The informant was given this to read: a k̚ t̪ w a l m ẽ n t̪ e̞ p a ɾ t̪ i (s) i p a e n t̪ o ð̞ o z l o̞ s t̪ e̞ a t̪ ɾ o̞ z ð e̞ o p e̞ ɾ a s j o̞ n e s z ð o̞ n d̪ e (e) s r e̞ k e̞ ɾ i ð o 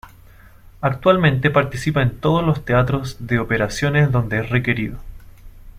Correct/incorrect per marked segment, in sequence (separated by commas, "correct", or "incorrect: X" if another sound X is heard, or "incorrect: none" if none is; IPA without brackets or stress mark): correct, correct